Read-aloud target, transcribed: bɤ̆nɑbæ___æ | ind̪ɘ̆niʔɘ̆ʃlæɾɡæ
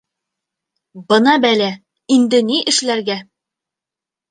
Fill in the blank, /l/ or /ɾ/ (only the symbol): l